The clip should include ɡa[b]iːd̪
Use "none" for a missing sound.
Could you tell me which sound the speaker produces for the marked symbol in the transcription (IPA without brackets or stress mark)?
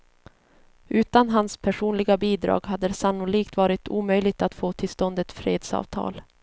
b